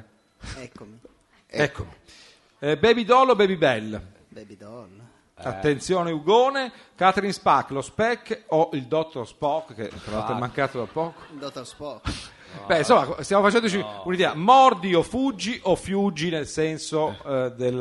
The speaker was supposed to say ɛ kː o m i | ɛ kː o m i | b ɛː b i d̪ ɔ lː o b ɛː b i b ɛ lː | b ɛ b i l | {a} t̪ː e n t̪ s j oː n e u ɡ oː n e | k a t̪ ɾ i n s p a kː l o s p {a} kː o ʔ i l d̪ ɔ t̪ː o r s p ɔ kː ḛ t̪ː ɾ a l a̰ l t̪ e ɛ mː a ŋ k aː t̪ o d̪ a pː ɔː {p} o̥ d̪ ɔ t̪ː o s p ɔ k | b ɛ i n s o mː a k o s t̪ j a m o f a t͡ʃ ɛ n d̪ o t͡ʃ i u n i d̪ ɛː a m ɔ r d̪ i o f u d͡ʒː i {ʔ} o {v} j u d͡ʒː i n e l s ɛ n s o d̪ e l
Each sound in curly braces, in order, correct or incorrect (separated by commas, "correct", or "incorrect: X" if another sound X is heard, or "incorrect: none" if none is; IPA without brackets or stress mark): correct, incorrect: ɛ, incorrect: k, correct, incorrect: f